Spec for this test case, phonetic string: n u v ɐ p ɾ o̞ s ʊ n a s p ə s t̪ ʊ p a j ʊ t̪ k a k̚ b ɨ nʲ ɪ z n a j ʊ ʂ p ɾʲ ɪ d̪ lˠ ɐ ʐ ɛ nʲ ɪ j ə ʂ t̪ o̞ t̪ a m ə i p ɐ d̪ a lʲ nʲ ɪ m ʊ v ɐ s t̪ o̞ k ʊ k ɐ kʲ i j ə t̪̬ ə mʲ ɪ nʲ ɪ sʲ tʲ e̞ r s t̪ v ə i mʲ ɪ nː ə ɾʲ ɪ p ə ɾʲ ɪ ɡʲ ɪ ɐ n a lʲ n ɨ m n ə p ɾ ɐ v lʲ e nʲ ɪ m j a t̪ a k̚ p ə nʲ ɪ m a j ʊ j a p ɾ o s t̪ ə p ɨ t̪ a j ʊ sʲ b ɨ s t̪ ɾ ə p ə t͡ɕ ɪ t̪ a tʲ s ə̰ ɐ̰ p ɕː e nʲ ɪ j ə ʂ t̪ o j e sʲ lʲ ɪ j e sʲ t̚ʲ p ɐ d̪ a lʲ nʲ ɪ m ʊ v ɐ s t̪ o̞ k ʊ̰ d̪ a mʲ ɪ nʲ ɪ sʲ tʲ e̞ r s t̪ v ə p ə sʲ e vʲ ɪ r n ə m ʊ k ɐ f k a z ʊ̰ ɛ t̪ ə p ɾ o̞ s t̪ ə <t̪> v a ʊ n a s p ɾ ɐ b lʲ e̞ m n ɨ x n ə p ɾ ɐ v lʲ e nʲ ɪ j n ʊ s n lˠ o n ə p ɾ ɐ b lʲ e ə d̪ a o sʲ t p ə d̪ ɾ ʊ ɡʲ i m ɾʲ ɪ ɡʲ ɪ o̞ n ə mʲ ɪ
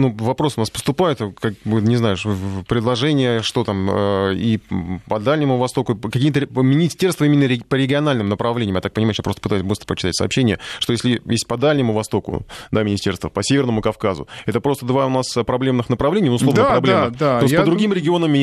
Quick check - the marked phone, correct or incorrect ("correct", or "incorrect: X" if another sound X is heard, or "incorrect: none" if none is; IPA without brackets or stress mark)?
incorrect: d̪